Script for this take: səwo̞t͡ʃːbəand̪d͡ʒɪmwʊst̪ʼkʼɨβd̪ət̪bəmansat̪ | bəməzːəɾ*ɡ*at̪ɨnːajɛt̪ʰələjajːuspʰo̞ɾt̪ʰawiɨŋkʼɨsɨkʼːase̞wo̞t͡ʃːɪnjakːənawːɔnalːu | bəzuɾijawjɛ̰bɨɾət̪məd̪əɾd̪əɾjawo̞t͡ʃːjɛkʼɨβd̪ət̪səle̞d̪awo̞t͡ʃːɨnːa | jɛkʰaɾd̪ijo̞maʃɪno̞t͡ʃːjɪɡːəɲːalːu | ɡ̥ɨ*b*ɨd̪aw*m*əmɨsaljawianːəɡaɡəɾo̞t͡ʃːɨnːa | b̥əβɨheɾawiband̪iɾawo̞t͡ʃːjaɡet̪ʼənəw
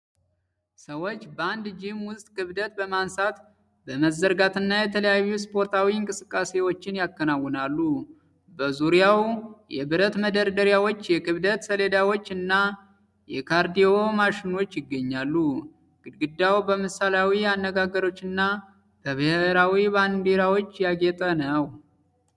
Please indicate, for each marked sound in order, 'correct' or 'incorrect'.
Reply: correct, incorrect, incorrect

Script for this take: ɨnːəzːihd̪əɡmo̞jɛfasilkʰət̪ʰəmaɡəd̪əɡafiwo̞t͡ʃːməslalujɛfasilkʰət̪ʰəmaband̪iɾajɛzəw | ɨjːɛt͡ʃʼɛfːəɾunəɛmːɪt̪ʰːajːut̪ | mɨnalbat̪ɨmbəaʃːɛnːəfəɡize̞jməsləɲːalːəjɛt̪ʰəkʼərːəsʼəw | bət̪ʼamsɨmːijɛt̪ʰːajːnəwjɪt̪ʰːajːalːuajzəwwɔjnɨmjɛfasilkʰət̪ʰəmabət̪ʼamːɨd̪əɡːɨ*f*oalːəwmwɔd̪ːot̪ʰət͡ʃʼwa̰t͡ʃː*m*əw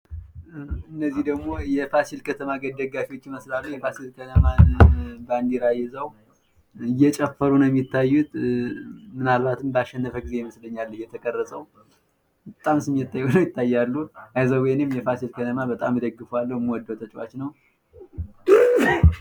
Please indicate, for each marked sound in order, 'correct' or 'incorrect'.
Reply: correct, incorrect

